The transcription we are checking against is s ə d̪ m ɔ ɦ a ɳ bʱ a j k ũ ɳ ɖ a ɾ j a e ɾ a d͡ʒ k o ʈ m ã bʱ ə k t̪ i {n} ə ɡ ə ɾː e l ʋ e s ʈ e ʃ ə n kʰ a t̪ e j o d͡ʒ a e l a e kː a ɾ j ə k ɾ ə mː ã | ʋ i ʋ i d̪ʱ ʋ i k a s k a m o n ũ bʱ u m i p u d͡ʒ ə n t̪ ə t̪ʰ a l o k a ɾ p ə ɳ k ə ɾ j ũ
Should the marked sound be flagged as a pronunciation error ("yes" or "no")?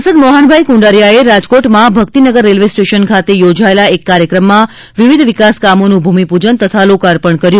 no